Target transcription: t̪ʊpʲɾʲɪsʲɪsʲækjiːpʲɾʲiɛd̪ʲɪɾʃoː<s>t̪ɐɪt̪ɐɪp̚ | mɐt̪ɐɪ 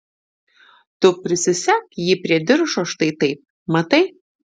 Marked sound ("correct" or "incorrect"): incorrect